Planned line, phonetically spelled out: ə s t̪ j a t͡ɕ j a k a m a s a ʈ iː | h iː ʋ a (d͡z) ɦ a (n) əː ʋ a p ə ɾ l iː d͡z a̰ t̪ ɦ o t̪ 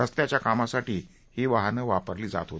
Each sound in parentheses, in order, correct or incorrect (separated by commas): incorrect, correct